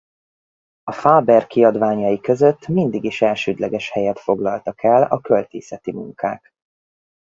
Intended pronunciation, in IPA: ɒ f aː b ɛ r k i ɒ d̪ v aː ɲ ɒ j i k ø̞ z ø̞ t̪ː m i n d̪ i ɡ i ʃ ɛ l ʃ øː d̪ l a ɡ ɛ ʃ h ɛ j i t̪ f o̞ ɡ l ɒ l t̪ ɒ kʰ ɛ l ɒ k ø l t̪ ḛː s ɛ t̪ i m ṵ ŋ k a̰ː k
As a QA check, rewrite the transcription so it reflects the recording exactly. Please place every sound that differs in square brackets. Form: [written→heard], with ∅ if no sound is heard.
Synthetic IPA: ɒ f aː b ɛ r k i ɒ d̪ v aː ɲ ɒ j i k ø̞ z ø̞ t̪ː m i n d̪ i ɡ i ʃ ɛ l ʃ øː d̪ l [a→ɛ] ɡ ɛ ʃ h ɛ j [i→ɛ] t̪ f o̞ ɡ l ɒ l t̪ ɒ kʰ ɛ l ɒ k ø l t̪ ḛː s ɛ t̪ i m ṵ ŋ k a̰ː k